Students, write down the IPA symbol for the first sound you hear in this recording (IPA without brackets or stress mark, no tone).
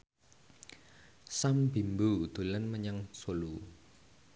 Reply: s